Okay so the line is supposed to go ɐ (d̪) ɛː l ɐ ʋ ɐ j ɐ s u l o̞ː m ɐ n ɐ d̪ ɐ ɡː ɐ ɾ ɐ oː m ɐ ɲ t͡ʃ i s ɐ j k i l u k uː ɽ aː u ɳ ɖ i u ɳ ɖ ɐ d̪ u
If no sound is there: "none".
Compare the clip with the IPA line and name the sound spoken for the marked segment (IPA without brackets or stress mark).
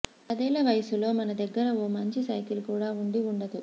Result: d̪